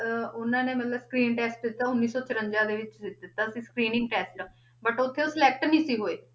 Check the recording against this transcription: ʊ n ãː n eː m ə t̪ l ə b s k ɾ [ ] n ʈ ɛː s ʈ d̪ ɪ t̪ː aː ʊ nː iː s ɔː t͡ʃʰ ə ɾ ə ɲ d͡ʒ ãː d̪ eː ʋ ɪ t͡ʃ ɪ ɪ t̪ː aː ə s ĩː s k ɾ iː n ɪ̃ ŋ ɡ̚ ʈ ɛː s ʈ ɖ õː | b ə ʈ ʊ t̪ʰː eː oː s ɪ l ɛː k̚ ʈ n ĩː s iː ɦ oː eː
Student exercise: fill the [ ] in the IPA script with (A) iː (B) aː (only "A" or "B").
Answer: A